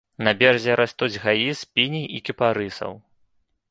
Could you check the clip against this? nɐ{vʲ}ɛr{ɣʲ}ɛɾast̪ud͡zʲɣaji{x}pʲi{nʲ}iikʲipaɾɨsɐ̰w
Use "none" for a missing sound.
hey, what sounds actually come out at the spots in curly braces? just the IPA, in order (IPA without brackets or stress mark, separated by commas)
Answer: bʲ, zʲ, s, nʲ